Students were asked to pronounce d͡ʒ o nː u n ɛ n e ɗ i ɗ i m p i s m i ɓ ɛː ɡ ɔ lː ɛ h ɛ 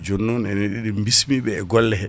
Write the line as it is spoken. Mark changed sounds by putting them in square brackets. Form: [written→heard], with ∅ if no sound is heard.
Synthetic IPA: d͡ʒ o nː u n ɛ n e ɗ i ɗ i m [p→b] i s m i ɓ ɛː ɡ ɔ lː ɛ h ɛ